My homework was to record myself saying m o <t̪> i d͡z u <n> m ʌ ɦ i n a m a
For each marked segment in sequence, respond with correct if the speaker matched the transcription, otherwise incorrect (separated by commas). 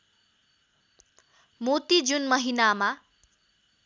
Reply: correct, correct